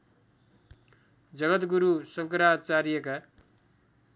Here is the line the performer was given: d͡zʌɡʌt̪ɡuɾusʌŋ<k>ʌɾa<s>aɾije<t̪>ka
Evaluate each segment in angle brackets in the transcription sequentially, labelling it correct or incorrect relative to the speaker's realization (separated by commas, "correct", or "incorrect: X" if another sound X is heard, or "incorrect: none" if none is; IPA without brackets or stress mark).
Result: correct, incorrect: t͡s, incorrect: none